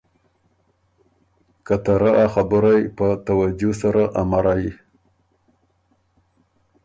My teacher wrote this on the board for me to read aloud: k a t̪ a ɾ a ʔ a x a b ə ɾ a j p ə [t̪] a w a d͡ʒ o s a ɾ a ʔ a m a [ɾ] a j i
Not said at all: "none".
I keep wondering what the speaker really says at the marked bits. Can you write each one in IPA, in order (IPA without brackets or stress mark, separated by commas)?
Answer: t̪, ɾ